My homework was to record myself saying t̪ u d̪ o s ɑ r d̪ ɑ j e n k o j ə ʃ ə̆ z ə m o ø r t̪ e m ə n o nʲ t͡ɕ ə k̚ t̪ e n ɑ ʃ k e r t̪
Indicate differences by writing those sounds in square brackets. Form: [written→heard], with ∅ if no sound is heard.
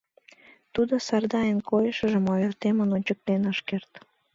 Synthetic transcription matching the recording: t̪ u d̪ o s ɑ r d̪ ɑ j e n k o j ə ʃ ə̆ [z→ʒ] ə m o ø r t̪ e m ə n o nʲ t͡ɕ ə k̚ t̪ e n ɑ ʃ k e r t̪